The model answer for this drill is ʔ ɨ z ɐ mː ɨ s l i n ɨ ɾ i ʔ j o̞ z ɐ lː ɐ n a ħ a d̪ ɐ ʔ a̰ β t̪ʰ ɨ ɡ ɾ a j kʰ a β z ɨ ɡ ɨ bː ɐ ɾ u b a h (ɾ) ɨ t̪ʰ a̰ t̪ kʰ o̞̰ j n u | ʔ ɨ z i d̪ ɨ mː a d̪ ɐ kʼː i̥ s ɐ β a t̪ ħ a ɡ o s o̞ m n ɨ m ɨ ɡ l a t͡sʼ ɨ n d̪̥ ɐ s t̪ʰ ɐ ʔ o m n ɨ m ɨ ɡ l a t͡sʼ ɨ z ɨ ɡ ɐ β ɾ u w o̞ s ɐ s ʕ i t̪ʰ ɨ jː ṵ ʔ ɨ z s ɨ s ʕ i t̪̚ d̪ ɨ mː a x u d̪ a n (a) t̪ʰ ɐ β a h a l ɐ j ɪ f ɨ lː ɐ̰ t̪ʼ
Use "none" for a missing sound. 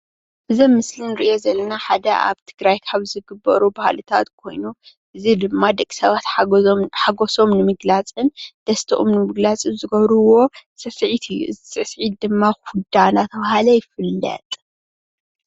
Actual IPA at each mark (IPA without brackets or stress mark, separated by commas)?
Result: l, a